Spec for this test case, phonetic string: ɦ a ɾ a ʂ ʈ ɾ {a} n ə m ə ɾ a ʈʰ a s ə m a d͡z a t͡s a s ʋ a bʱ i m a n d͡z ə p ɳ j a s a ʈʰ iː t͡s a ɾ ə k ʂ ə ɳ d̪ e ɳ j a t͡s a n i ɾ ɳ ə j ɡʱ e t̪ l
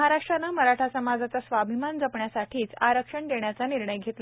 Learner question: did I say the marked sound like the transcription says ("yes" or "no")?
yes